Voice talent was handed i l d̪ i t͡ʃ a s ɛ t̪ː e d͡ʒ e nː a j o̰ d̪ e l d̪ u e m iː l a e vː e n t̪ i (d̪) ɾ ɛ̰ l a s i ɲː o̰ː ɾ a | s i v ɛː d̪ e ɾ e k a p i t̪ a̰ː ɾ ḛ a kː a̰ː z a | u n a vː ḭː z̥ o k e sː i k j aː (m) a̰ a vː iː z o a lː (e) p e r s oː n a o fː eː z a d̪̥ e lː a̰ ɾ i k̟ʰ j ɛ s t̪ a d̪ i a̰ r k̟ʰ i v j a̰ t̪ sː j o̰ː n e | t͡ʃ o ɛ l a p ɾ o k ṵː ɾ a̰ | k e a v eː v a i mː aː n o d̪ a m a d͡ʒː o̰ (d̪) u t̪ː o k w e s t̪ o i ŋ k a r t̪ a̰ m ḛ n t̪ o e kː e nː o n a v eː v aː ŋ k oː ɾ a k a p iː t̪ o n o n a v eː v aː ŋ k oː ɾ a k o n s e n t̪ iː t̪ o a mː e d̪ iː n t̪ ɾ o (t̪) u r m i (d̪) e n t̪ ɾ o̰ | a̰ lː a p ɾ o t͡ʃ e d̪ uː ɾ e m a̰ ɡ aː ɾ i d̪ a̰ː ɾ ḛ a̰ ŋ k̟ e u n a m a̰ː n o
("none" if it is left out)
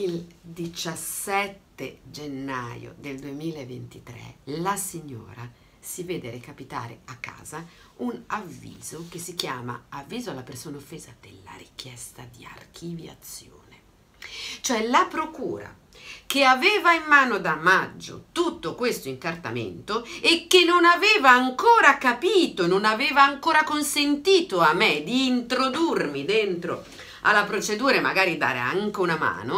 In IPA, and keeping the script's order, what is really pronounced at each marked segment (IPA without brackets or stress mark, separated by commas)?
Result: t̪, m, a, t̪, d̪, d̪